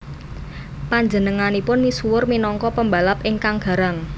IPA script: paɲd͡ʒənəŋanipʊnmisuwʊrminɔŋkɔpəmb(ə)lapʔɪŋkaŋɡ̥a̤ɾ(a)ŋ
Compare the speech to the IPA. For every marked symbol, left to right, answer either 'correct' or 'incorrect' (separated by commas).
incorrect, correct